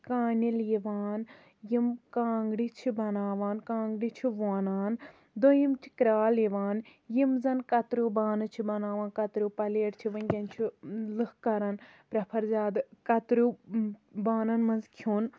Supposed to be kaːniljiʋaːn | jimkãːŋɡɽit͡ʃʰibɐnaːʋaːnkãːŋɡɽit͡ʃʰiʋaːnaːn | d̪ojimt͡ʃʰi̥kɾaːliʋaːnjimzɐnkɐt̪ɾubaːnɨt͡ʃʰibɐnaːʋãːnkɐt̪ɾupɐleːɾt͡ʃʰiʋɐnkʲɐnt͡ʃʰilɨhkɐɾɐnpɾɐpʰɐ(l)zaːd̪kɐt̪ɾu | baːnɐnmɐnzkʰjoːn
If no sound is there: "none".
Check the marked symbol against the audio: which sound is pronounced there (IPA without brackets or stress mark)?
ɾ